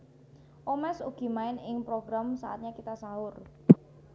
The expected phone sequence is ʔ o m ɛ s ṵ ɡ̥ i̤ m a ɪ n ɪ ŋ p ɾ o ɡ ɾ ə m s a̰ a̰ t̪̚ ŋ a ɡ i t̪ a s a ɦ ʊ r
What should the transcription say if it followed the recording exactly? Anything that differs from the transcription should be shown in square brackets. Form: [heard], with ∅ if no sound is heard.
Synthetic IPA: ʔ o m ɛ s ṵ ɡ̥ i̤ m a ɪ n ɪ ŋ p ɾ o ɡ ɾ [a] m s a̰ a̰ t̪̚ [ɲ] a [k] i t̪ a s a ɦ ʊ r